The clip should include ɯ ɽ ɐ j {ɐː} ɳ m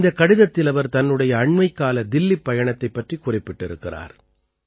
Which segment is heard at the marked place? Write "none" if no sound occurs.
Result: ɐː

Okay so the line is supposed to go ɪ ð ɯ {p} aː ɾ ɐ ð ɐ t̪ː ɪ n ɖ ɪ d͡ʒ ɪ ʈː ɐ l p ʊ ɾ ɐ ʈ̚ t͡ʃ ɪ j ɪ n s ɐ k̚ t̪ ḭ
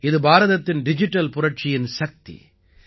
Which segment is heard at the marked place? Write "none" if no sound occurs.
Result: b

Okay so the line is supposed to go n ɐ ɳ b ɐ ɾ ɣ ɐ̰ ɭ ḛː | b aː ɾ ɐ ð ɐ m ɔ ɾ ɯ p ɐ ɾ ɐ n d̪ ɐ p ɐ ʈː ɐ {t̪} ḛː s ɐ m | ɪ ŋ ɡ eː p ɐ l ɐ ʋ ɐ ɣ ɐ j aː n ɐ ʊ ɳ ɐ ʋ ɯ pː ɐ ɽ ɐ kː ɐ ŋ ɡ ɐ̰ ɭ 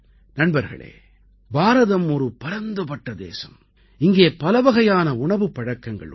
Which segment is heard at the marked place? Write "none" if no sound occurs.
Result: d̪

